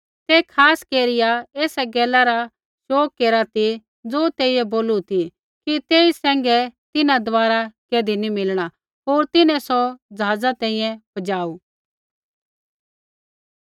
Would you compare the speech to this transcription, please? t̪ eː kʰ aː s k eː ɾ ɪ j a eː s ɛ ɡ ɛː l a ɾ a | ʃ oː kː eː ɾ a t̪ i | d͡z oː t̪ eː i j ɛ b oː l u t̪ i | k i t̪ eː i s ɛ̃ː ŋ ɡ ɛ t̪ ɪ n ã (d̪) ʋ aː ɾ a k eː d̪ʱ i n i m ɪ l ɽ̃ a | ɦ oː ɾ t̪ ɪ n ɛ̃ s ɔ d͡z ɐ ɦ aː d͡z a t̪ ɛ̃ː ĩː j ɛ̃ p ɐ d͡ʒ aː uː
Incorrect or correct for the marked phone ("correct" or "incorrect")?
correct